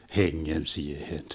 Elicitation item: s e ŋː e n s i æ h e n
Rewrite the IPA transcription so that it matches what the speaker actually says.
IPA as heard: h e ŋː e n s i e h e n